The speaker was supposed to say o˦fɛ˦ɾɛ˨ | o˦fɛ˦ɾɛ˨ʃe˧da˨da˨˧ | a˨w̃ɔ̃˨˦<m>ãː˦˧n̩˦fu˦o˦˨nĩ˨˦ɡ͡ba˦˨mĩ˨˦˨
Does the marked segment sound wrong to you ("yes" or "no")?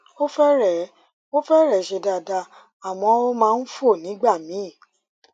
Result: no